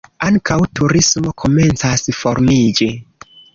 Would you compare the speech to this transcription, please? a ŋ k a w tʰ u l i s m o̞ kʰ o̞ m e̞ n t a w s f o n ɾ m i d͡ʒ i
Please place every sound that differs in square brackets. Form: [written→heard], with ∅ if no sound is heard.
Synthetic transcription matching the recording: a ŋ k a w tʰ u [l→ɾ] i s m o̞ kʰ o̞ m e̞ n [t→t͡s] a [w→∅] s f o [n→∅] ɾ m i d͡ʒ i